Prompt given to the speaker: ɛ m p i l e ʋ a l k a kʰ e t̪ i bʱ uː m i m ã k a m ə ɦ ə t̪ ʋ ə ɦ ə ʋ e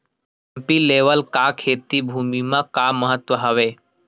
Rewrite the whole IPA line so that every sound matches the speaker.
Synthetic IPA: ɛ m p i l e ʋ ə l k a kʰ e t̪ i bʱ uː m i m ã k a m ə ɦ ə t̪ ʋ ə ɦ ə ʋ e